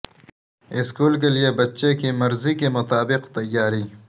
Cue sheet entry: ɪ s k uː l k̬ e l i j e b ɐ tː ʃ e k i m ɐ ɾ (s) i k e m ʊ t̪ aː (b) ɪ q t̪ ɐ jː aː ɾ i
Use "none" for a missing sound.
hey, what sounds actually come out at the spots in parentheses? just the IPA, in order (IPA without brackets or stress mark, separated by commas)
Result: z, b